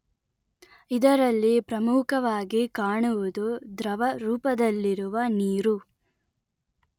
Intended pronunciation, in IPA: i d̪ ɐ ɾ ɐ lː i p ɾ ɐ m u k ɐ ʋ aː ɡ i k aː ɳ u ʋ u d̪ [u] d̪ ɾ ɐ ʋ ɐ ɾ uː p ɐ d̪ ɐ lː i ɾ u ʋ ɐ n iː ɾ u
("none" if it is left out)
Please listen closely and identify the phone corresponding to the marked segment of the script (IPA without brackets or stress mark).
u